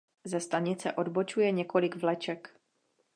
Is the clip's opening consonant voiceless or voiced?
voiced